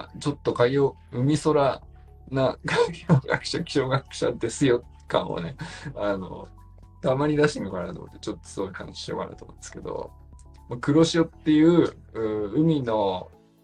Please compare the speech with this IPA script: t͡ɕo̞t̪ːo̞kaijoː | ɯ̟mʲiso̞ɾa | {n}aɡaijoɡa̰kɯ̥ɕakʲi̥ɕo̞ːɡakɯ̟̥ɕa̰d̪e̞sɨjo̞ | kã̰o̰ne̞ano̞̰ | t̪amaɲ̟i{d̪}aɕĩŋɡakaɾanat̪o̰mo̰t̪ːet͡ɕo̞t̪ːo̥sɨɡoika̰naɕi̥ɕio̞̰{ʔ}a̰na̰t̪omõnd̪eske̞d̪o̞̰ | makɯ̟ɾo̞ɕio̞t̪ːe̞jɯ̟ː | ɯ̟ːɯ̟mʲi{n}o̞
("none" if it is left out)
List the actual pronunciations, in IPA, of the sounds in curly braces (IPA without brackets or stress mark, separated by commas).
n, d̪, k, n